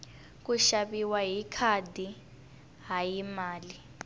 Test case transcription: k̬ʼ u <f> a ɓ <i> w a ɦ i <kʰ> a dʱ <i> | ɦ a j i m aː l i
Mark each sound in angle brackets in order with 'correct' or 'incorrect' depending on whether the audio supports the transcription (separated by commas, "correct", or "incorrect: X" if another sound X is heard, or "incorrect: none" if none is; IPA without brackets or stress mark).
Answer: incorrect: ʃ, correct, correct, correct